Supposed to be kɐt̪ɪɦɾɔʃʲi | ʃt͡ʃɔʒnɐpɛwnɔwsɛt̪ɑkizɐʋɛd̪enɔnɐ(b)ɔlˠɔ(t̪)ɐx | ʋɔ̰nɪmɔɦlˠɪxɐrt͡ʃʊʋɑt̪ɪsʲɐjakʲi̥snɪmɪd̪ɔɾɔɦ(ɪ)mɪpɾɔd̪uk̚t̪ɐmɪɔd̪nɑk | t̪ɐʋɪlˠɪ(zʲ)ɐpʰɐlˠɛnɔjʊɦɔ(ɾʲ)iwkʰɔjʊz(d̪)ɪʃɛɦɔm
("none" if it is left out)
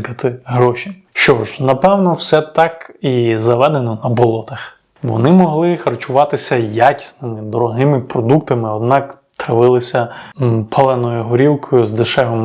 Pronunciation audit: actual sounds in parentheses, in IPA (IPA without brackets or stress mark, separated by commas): b, t̪, ɪ, sʲ, ɾʲ, d̪